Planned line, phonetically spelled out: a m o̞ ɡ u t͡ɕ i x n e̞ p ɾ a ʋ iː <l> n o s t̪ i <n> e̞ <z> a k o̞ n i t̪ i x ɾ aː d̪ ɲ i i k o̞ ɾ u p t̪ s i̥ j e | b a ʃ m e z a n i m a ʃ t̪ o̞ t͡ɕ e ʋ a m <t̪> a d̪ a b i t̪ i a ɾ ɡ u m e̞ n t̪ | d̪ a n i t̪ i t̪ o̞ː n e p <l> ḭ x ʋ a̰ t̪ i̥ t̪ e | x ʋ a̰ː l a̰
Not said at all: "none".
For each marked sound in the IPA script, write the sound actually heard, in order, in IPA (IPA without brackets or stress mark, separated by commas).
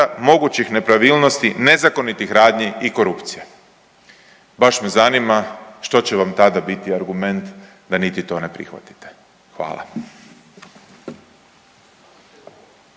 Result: l, n, z, t̪, ɾ